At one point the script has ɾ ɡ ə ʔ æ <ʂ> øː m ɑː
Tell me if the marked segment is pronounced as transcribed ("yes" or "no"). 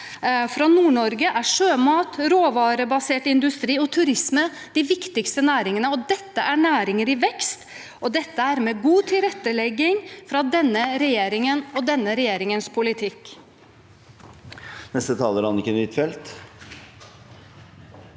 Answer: yes